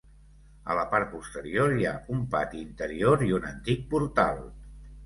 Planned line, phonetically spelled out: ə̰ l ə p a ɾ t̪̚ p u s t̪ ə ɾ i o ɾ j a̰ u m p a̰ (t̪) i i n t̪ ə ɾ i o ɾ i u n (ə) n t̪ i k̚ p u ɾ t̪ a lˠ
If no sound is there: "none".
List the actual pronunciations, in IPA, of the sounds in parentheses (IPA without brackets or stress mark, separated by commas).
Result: t̪, ə